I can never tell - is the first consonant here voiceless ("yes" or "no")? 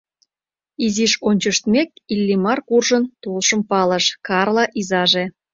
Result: no